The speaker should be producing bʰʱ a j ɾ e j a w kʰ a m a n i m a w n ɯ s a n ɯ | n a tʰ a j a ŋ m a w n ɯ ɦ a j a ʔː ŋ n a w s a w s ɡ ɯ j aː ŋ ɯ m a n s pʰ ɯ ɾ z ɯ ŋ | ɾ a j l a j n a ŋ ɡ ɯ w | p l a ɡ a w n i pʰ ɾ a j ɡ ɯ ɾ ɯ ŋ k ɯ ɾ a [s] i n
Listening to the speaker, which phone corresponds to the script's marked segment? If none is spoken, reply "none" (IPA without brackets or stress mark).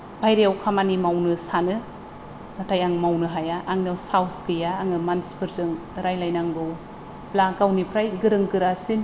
s